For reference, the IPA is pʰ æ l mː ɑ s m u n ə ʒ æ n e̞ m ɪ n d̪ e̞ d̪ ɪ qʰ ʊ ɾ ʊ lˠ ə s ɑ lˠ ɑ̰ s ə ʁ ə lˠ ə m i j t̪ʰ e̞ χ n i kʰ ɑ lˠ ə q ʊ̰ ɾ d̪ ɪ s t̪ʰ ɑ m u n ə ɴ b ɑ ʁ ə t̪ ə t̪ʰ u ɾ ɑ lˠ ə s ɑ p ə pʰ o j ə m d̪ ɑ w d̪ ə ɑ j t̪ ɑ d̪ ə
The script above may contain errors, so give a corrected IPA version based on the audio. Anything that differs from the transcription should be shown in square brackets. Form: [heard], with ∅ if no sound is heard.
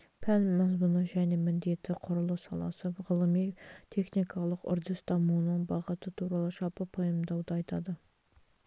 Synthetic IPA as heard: pʰ æ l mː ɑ [z] m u n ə ʒ æ n e̞ m ɪ n d̪ e̞ [t̪] ɪ qʰ ʊ ɾ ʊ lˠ ə s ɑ lˠ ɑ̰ s ə ʁ ə lˠ ə m i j t̪ʰ e̞ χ n i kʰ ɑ lˠ ə q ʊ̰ ɾ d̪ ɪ s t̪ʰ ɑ m u n ə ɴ b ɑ ʁ ə t̪ ə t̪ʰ u ɾ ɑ lˠ ə [ʃ] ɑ p ə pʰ o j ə m d̪ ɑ w d̪ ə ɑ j t̪ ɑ d̪ ə

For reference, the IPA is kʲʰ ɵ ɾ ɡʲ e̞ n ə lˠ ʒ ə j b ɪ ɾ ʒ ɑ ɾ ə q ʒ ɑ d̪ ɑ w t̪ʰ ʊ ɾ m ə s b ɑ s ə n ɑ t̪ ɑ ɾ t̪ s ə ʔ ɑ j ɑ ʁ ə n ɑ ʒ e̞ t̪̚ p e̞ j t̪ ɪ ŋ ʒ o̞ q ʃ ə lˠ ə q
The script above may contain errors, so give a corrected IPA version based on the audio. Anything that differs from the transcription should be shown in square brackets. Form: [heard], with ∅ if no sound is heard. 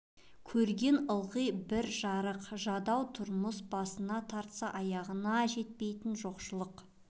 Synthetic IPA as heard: kʲʰ ɵ ɾ ɡʲ e̞ n ə lˠ [ʁ] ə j b ɪ ɾ ʒ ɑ ɾ ə q ʒ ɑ d̪ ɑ w t̪ʰ ʊ ɾ m ə s b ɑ s ə n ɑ [t̪ʰ] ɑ ɾ t̪ s [ɑ] ʔ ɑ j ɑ ʁ ə n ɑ ʒ e̞ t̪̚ p e̞ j t̪ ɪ [n] ʒ o̞ q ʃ ə lˠ ə q

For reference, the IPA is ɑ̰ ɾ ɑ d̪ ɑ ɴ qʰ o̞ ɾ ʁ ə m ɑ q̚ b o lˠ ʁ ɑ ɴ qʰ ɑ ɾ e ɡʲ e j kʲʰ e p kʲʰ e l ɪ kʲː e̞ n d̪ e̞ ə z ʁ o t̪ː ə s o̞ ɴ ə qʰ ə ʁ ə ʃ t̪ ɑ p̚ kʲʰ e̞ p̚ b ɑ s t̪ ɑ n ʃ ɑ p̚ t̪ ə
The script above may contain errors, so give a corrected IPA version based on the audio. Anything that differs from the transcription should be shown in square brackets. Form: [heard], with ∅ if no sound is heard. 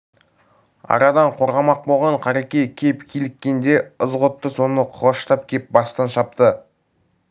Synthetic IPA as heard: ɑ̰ ɾ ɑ d̪ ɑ ɴ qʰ o̞ ɾ ʁ [ɑ] m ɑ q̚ b o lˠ ʁ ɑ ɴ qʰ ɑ ɾ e [kʲ] e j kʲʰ e p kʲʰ e l ɪ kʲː e̞ n d̪ e̞ ə z ʁ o t̪ː ə s o̞ [n] ə qʰ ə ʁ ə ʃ t̪ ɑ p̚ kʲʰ e̞ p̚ b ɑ s t̪ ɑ n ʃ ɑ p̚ t̪ ə

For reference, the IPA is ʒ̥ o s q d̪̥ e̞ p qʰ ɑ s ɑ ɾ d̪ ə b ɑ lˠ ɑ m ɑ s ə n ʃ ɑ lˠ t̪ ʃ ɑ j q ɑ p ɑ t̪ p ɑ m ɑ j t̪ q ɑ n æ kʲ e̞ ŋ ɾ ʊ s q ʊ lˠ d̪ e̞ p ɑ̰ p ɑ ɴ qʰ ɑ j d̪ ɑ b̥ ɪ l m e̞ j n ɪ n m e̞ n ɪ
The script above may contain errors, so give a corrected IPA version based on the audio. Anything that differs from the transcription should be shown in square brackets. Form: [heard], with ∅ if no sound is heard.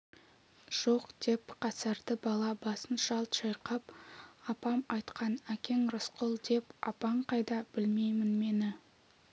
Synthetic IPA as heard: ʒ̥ o [∅] q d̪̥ e̞ p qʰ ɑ s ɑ ɾ d̪ ə b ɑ lˠ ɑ [b] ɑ s ə n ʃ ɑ lˠ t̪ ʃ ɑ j q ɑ p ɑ [∅] p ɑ m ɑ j t̪ q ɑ n æ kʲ e̞ ŋ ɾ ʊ s q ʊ lˠ d̪ e̞ p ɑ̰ p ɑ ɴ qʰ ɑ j d̪ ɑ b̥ ɪ l m e̞ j [m] ɪ n m e̞ n ɪ

